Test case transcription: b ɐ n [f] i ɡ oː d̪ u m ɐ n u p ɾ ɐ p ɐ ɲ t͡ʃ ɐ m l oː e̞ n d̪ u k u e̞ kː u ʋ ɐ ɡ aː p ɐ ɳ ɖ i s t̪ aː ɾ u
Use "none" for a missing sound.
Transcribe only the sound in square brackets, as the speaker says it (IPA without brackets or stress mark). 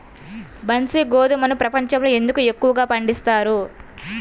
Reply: s